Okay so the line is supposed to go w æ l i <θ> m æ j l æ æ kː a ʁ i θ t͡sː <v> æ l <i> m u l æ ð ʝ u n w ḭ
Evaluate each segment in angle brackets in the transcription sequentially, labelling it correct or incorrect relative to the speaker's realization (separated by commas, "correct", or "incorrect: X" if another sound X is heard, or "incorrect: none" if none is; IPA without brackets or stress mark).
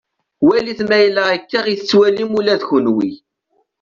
correct, incorrect: w, correct